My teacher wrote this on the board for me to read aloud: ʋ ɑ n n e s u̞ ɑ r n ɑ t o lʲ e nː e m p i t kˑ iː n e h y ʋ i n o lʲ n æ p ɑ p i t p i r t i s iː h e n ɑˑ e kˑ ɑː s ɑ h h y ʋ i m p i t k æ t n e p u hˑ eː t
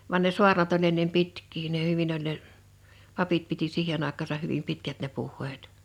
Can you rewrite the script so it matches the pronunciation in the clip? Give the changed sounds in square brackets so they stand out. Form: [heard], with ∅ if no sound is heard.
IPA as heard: ʋ ɑ n n e s u̞ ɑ r n ɑ t o lʲ e nː e m p i t kˑ iː n e h y ʋ i n o lʲ n [e] p ɑ p i t p i [∅] t i s iː h e n ɑˑ e kˑ ɑː s ɑ h h y ʋ i m p i t k æ t n e p u hˑ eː t